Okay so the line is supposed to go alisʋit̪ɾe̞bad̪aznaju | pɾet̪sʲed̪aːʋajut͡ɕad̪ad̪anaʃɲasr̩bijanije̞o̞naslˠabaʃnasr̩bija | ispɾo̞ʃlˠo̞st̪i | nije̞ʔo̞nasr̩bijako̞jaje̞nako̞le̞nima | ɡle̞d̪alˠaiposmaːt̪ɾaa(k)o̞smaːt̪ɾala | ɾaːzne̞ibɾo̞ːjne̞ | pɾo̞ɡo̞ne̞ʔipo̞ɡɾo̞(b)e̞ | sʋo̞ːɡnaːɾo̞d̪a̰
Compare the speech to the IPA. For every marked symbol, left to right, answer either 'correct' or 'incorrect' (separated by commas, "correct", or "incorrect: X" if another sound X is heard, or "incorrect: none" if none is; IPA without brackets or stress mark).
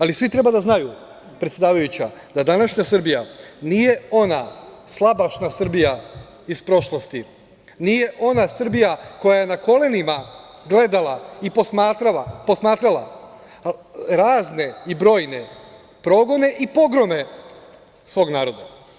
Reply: incorrect: p, incorrect: m